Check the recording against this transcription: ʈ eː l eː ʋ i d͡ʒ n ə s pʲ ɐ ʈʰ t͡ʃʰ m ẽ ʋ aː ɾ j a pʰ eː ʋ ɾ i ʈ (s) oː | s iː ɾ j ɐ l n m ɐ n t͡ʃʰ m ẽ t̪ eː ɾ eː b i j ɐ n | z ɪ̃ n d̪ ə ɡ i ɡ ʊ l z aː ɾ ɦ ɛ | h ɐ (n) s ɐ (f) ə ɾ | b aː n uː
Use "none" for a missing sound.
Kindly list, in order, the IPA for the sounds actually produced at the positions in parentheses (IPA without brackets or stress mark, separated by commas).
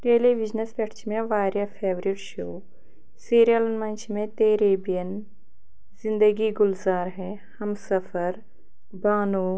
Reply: ʃ, m, f